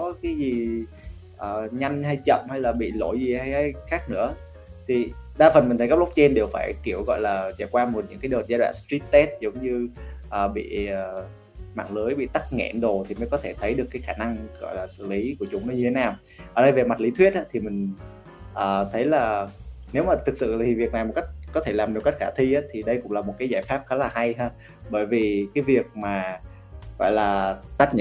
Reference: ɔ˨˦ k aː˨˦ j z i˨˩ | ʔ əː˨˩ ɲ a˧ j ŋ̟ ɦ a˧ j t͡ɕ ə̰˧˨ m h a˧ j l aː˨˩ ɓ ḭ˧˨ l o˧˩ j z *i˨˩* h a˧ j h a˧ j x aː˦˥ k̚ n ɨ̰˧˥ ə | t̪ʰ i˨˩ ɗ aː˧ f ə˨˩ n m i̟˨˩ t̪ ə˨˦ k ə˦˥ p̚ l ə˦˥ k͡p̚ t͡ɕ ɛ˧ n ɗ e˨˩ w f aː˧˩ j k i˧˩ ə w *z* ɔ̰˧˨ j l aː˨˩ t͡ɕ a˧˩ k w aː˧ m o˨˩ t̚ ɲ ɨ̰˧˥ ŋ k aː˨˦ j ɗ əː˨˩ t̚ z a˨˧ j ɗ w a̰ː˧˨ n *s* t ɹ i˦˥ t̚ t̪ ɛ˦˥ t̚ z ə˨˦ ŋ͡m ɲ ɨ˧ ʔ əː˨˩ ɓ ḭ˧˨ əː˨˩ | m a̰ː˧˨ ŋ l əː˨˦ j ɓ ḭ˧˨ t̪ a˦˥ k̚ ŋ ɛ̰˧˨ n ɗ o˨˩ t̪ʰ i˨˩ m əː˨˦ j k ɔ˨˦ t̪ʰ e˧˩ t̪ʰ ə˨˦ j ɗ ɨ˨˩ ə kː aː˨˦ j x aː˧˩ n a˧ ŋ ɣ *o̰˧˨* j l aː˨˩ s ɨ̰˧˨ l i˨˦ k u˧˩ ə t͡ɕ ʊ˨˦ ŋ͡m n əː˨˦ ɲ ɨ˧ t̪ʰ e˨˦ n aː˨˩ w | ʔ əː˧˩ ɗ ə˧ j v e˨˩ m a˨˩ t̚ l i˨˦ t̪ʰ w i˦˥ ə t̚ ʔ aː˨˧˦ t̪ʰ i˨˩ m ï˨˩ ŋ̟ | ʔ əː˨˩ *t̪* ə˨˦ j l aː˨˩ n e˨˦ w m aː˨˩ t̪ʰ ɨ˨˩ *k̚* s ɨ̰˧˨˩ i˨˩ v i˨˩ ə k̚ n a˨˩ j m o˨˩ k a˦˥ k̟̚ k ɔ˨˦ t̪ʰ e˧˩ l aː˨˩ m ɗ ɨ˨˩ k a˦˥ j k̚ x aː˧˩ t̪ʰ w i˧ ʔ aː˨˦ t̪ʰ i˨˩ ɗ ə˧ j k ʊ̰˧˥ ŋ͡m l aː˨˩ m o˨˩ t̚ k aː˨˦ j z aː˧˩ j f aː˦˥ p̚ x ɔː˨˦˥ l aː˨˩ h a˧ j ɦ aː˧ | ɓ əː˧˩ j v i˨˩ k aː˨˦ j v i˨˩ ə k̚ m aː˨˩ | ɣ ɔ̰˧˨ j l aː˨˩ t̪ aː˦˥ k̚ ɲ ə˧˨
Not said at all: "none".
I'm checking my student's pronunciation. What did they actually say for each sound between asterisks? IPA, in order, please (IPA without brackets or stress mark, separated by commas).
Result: i˨˩, ɣ, s, ɔ̰˧˨, t̪ʰ, k̚